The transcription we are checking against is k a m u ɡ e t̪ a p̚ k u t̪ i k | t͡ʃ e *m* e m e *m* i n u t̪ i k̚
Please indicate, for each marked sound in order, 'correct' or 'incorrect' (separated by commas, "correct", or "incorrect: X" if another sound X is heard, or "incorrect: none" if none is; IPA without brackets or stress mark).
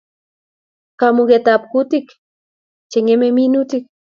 incorrect: ŋ, correct